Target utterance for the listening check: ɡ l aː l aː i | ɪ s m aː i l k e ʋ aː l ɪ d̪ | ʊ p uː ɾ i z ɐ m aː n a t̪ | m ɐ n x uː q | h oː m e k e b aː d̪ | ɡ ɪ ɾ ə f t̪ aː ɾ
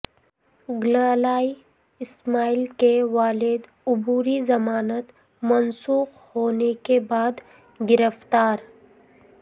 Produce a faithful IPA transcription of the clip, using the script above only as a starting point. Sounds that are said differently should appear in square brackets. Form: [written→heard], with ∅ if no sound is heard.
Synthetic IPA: ɡ l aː l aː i | ɪ s m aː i l k e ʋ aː l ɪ d̪ | ʊ [p→b] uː ɾ i z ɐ m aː n [a→ə] t̪ | m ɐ n [x→s] uː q | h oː [m→n] e k e b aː d̪ | ɡ ɪ ɾ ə f t̪ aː ɾ